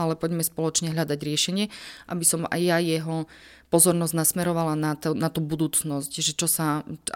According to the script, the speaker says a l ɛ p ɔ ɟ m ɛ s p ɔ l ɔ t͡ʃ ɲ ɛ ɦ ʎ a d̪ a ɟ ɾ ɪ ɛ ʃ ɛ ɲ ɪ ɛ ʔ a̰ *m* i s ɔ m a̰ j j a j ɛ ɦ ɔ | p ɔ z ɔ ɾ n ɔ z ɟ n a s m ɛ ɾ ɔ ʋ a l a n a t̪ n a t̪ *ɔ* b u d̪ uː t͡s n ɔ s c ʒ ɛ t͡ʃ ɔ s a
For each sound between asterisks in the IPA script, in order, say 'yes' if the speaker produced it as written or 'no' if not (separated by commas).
no, no